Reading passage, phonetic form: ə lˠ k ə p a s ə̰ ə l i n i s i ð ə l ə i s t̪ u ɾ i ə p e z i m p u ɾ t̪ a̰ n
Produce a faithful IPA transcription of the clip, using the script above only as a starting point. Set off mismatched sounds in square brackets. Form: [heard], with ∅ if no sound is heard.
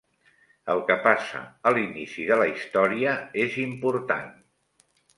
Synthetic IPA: ə lˠ k ə p a s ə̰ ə l i n i s i ð ə l ə i s t̪ [ɔ] ɾ i ə [∅] e z i m p u ɾ t̪ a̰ n

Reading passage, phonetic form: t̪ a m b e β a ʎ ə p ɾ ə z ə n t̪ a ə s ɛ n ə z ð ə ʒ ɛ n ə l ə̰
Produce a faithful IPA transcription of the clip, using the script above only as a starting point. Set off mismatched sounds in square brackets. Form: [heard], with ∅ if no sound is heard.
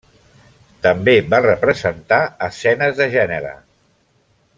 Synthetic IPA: t̪ [ə] m b e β a [r] ə p ɾ ə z ə n t̪ a ə s ɛ n ə z ð ə ʒ ɛ n ə [ɾ] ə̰

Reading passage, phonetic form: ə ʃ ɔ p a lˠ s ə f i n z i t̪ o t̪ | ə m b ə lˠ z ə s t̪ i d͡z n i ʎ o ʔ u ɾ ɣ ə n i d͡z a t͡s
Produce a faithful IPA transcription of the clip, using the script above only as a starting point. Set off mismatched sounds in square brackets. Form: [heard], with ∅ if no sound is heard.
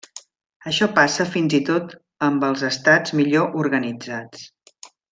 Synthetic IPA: ə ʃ ɔ p a [∅] s ə f i n z i t̪ o t̪ | ə m b ə lˠ z ə s t̪ [a] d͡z [m] i ʎ o ʔ u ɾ ɣ ə n i d͡z a t͡s

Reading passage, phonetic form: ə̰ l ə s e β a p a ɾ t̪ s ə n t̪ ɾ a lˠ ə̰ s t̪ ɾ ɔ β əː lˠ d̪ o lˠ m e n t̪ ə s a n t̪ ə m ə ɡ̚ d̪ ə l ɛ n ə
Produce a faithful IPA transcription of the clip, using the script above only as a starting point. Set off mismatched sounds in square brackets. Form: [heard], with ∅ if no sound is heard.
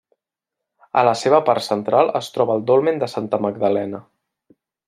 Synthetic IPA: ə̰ l ə s e β [ə] p a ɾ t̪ s ə n t̪ ɾ a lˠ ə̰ s t̪ ɾ ɔ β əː lˠ d̪ o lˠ m e n [d̪] ə s a n t̪ ə m ə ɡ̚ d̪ ə l ɛ n ə

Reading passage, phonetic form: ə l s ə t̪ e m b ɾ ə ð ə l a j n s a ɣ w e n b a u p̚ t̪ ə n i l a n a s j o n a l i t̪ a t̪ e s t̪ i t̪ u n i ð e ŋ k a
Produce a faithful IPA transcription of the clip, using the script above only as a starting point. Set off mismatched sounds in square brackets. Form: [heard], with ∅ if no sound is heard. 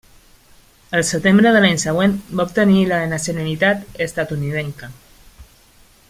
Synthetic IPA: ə l s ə t̪ e m b ɾ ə ð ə l a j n s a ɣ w e n b a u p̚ t̪ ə n i l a n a s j o n a l i t̪ a t̪ e s t̪ [a] t̪ u n i ð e ŋ k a

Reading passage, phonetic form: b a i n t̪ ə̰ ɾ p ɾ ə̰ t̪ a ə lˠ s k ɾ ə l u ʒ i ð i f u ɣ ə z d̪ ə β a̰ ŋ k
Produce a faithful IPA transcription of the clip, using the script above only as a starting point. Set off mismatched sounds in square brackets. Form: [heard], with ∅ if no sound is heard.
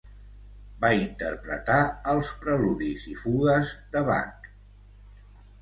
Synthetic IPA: b a i n t̪ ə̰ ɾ p ɾ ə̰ t̪ a ə lˠ s [p] ɾ ə l u [ð] i [z] i f u ɣ ə z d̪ ə β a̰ ŋ k

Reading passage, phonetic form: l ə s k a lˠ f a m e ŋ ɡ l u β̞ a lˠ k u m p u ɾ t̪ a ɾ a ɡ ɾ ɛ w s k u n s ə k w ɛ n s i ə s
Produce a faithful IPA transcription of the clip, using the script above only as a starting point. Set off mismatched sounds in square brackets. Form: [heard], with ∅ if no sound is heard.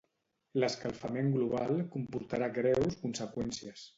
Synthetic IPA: l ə s k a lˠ f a m e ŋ ɡ l u β̞ a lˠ k u m p u ɾ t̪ a ɾ a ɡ ɾ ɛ w s k u n s ə k w ɛ n s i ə s

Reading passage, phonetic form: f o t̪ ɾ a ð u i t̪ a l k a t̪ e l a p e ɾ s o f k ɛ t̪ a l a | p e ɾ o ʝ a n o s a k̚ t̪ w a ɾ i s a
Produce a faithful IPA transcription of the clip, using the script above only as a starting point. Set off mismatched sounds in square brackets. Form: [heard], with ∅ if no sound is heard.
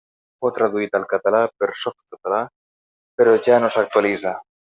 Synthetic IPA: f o t̪ ɾ a ð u i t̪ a l k a t̪ [a] l a p e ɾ s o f k [a] t̪ a l a | p e ɾ o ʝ a n o s a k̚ t̪ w a [l] i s a

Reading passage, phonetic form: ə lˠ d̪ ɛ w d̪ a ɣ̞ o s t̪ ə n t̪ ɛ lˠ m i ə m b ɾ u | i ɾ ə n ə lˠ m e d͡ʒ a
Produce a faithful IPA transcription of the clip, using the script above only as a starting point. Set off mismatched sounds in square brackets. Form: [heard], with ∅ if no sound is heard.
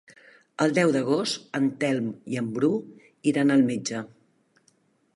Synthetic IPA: ə lˠ d̪ ɛ w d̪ [ə] ɣ̞ o s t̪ ə n t̪ ɛ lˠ m i ə m b ɾ u | i ɾ [a] n ə lˠ m e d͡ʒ [ə]

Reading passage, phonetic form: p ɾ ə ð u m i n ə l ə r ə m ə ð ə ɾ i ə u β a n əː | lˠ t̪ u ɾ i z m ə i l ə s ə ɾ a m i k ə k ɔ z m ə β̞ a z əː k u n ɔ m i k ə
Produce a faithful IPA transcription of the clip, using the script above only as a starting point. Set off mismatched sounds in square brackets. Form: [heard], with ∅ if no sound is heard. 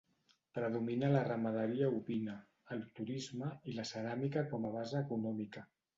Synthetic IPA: p ɾ ə ð u m i n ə l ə r ə m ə ð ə ɾ i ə u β [i] n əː | lˠ t̪ u ɾ i z m ə i l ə s ə ɾ a m i k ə k ɔ [∅] m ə β̞ a z əː k u n ɔ m i k ə

